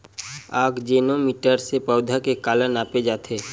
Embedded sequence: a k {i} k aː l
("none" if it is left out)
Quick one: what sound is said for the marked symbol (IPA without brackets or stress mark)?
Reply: e